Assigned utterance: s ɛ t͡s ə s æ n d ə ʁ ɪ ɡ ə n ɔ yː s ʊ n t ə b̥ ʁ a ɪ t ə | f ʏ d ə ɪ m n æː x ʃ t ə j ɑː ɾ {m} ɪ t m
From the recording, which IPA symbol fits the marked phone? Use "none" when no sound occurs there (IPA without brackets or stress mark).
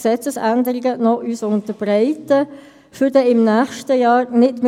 n